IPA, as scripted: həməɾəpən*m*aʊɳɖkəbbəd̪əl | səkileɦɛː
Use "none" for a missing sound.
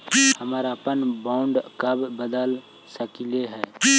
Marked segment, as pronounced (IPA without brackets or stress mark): b